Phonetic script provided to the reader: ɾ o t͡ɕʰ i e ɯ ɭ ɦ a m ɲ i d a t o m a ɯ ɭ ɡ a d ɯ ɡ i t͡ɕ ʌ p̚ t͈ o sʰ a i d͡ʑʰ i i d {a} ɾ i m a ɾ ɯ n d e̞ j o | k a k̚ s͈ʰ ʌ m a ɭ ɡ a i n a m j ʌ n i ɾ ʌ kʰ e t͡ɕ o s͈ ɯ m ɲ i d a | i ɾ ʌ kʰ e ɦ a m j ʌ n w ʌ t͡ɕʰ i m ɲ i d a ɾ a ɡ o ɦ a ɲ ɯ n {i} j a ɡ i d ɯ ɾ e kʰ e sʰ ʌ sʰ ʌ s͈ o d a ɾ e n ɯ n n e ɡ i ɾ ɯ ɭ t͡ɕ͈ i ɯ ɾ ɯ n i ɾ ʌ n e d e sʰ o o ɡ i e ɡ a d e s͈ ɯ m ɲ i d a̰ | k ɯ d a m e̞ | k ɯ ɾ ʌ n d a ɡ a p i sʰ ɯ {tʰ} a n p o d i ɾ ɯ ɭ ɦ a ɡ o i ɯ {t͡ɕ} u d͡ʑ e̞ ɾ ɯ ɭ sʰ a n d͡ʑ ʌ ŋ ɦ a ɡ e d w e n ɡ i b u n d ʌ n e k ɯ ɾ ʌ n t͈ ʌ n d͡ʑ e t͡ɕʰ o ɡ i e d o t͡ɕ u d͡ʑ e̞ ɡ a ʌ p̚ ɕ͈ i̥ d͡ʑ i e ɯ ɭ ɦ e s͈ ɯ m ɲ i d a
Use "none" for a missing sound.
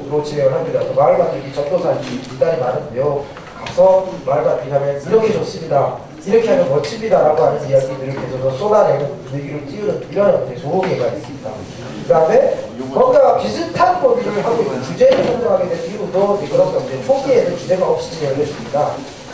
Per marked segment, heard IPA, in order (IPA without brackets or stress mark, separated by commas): a, i, tʰ, t͡ɕ